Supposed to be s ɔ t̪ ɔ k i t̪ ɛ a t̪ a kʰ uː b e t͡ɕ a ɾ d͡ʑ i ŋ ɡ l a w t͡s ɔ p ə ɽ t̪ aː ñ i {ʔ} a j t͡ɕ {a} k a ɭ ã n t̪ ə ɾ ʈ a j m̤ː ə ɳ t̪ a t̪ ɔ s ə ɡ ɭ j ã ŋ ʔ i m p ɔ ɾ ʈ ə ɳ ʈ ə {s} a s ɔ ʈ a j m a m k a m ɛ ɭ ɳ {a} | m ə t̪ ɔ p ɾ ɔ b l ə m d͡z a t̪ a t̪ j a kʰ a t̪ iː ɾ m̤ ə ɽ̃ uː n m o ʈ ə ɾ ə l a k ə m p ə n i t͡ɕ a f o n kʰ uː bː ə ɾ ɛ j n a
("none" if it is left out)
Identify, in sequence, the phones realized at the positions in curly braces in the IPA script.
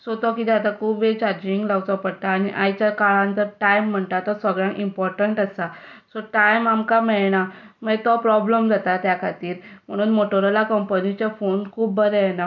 ʔ, a, s, a

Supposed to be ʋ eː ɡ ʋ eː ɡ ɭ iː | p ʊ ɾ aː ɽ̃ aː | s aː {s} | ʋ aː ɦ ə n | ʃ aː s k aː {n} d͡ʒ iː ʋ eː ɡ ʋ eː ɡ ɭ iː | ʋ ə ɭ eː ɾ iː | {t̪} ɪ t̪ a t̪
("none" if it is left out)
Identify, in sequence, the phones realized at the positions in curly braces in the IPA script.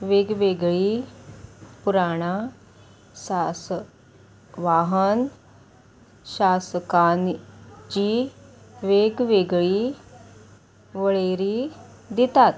s, n, d̪

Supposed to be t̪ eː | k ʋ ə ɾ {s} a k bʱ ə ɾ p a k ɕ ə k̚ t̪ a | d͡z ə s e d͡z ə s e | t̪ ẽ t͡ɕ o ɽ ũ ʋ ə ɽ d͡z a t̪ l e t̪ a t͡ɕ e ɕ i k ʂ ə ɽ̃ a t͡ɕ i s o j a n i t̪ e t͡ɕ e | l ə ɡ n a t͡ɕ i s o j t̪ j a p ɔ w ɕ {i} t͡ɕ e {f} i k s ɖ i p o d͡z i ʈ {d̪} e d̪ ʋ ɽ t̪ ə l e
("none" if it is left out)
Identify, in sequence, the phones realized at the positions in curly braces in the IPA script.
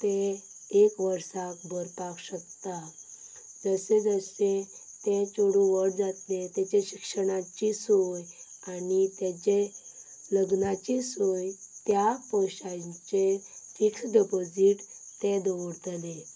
s, a, f, t̪

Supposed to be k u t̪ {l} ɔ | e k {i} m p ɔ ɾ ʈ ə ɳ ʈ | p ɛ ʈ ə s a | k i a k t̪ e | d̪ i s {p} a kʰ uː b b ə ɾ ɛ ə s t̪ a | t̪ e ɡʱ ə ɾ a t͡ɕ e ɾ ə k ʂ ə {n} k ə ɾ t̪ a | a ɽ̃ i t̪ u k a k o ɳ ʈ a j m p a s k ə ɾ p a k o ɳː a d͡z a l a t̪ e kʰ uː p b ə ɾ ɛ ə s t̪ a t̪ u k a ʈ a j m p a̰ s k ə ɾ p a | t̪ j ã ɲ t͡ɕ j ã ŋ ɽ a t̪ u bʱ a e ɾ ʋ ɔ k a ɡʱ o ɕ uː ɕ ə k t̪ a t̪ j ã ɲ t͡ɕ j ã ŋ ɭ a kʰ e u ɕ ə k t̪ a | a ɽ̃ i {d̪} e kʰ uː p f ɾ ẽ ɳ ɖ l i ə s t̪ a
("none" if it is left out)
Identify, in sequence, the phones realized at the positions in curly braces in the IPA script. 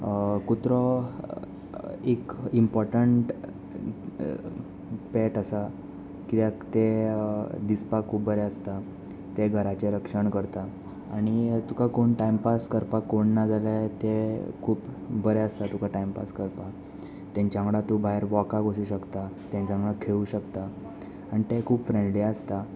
ɾ, i, p, ɳ, t̪

